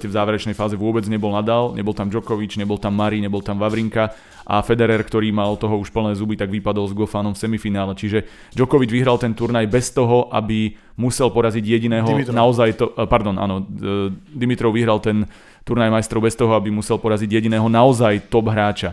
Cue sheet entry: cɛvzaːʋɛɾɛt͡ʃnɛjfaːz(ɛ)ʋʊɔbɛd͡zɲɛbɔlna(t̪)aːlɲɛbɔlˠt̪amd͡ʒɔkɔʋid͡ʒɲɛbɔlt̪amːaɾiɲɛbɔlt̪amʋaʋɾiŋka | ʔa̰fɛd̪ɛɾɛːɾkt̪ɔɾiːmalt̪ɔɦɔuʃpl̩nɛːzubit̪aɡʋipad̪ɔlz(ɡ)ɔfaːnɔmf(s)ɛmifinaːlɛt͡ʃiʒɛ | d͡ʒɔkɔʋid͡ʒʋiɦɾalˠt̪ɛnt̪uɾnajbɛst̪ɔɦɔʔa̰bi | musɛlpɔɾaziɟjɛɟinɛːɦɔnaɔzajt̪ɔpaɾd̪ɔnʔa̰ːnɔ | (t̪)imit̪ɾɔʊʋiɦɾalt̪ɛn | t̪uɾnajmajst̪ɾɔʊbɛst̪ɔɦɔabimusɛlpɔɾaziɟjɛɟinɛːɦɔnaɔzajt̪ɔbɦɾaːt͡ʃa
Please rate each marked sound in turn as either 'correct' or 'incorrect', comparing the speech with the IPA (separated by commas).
correct, incorrect, correct, correct, incorrect